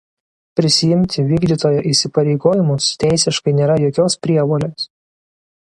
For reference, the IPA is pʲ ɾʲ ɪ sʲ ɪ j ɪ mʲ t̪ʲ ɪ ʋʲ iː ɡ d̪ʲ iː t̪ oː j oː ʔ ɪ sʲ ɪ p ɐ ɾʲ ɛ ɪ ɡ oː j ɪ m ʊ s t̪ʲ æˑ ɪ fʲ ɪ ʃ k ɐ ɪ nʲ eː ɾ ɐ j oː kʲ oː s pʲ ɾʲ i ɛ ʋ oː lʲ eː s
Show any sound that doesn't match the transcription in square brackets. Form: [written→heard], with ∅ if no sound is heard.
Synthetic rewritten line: pʲ ɾʲ ɪ sʲ ɪ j ɪ mʲ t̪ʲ ɪ ʋʲ iː ɡ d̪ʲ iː t̪ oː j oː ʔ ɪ sʲ ɪ p ɐ ɾʲ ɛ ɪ ɡ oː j ɪ m ʊ s t̪ʲ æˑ ɪ [fʲ→sʲ] ɪ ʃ k ɐ ɪ nʲ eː ɾ ɐ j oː kʲ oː s pʲ ɾʲ i ɛ ʋ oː lʲ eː s